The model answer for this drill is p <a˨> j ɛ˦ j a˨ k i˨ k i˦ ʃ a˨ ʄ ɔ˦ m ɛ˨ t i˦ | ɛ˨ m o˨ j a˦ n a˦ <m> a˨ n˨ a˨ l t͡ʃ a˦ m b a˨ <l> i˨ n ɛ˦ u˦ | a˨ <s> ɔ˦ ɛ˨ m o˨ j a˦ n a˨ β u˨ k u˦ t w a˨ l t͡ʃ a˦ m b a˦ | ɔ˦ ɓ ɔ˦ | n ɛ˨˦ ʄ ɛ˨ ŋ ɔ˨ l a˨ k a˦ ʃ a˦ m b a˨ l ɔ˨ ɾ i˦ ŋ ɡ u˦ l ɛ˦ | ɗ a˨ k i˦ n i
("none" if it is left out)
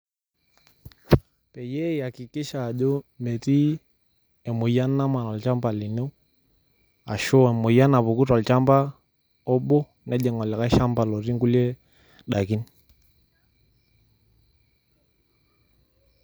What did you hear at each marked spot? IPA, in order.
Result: ɛ˨, m, l, ʃ

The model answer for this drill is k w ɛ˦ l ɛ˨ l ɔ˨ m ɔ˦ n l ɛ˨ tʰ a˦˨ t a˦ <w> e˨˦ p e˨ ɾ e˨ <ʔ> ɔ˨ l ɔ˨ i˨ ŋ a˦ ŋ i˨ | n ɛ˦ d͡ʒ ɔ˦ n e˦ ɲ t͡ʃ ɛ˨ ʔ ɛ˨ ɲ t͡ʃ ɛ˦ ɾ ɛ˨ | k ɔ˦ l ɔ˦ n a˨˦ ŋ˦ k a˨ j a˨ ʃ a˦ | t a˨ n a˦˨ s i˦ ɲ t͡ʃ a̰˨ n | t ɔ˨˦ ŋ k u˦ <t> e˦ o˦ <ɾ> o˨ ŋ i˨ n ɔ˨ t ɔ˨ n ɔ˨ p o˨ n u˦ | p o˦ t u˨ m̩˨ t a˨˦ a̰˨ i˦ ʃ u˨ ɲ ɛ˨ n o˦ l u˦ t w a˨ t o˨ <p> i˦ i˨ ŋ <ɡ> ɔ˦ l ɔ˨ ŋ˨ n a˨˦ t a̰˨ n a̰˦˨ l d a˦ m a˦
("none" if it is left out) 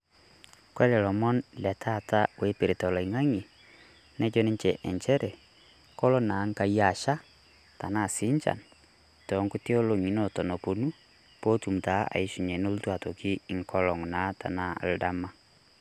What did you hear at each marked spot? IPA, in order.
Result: w, t, t, l, k, k

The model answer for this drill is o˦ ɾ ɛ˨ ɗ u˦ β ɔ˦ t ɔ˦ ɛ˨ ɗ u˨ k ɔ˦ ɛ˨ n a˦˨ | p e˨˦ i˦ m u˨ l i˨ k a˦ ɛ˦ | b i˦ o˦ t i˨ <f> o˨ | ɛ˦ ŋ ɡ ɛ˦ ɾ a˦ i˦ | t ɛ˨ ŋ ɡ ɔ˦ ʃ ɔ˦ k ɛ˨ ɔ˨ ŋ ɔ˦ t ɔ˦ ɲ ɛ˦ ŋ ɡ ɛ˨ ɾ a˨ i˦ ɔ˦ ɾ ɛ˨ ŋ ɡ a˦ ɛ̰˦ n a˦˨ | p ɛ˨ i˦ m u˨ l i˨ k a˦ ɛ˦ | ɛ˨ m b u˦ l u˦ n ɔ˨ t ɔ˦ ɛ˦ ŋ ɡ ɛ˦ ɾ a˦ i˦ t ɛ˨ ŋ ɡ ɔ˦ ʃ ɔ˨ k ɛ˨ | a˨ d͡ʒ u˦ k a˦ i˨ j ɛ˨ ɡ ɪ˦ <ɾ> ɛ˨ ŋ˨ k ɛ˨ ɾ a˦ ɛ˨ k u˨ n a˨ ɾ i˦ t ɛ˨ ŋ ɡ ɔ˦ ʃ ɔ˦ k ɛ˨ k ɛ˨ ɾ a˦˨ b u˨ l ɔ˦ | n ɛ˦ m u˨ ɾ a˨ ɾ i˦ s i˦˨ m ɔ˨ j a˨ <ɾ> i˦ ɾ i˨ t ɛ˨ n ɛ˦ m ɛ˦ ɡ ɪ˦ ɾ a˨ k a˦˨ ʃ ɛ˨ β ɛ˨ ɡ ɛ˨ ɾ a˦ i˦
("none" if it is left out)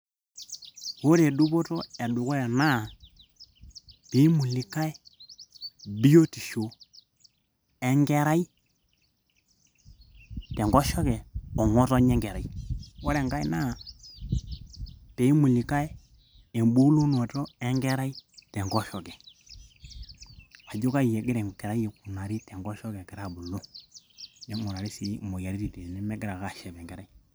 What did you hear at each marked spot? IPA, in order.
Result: ʃ, ɾ, ɾ

